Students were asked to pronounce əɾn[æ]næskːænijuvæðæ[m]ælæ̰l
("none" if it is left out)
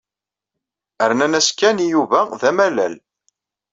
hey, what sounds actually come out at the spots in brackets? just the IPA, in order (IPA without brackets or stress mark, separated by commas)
æ, m